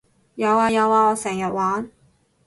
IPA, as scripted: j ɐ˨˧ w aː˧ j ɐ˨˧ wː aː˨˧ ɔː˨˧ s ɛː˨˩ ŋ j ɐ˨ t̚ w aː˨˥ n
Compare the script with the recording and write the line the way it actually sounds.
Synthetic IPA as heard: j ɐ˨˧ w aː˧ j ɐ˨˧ w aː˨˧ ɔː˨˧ s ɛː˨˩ ŋ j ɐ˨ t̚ w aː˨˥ n